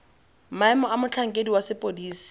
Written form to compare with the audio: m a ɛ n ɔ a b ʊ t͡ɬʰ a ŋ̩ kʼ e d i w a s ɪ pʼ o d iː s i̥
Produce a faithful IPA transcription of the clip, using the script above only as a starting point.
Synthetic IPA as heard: m a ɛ m ɔ a m ʊ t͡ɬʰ a ŋ̩ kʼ e d i w a s ɪ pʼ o d iː s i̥